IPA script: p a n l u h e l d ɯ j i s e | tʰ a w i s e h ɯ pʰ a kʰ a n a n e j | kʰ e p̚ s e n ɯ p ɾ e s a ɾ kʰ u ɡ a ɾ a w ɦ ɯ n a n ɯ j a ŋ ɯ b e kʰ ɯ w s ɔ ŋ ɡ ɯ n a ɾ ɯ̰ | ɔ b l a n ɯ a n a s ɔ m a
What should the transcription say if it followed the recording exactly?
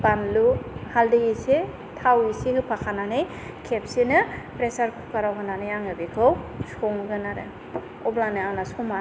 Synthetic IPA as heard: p a n l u h a l d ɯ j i s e | tʰ a w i s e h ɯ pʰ a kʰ a n a n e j | kʰ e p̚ s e n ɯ p ɾ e s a ɾ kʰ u k a ɾ a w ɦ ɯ n a n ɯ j a ŋ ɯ b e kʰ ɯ w s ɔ ŋ ɡ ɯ n a ɾ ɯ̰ | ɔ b l a n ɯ a n a s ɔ m a